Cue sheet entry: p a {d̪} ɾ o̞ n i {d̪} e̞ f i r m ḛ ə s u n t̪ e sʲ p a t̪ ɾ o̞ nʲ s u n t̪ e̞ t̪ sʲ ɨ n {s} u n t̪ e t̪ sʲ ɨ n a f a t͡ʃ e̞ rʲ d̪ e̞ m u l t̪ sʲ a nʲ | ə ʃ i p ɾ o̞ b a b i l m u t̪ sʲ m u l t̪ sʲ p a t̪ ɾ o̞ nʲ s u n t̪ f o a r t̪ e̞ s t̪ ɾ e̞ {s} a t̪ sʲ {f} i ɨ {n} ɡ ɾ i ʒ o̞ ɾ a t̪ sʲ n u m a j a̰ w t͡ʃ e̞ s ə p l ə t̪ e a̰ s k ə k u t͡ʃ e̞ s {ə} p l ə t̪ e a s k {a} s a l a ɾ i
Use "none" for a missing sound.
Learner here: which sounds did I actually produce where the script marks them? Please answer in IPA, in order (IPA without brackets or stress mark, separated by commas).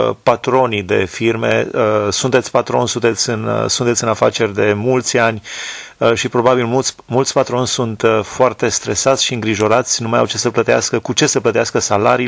t̪, d̪, s, s, ʃ, ŋ, ə, ə